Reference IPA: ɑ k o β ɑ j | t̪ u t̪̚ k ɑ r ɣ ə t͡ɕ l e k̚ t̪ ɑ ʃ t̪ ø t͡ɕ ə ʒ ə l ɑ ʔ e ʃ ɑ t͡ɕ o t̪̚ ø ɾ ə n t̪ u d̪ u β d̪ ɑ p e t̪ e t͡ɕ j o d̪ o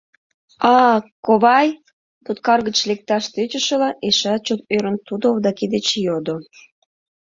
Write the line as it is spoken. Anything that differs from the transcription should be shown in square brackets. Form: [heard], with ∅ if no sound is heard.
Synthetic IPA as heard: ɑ k o β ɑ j | t̪ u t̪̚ k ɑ r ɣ ə t͡ɕ l e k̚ t̪ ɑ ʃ t̪ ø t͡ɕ ə [ʃ] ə l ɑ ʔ e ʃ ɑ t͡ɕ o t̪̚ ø ɾ ə n t̪ u d̪ [o] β d̪ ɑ [k] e [d̪] e t͡ɕ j o d̪ o